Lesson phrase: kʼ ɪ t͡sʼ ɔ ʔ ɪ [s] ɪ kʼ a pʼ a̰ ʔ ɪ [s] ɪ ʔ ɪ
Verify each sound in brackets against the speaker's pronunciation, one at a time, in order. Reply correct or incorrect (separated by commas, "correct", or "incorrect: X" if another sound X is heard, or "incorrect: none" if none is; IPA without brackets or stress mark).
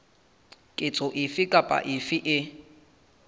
incorrect: f, incorrect: f